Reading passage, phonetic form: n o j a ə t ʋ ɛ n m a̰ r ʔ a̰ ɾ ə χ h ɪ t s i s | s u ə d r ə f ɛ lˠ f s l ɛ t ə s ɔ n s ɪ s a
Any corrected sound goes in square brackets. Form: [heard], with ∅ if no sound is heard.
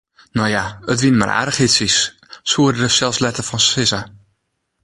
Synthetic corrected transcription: n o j a ə t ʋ [i] n m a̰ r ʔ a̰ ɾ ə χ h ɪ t s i s | s u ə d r ə [s] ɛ lˠ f s l ɛ t ə [f] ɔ n s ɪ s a